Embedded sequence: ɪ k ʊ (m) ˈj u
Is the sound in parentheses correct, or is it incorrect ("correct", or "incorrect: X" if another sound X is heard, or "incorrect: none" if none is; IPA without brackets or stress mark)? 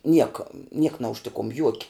correct